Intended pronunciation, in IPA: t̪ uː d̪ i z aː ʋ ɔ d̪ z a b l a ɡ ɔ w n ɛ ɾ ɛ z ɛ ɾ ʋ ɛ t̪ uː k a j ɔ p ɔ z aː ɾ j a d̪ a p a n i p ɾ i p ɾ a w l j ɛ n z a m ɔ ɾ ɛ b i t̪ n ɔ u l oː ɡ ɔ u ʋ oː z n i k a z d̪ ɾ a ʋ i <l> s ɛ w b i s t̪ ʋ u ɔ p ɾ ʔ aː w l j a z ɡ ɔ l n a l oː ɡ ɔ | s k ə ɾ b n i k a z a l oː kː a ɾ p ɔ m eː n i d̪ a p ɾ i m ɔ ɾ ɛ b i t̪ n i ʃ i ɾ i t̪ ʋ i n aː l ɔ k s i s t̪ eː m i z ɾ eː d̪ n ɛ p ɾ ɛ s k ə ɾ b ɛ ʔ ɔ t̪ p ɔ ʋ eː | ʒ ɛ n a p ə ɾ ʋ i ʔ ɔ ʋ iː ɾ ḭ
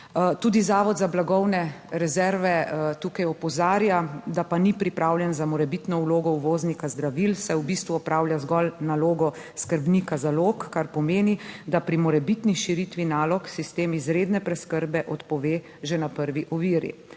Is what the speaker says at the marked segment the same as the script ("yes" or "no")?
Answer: yes